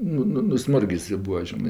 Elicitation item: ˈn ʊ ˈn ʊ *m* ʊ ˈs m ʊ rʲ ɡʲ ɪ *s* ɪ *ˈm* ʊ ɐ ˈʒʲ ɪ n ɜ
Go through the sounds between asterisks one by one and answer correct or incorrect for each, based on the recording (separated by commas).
incorrect, correct, incorrect